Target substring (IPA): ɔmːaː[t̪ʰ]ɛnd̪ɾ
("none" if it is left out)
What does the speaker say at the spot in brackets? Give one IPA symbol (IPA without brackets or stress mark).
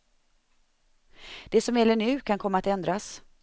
t̪